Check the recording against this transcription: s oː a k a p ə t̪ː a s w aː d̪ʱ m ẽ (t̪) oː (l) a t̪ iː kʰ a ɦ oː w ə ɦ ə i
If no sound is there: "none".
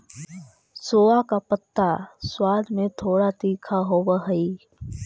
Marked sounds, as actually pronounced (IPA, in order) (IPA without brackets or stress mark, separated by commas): t̪ʰ, ɽ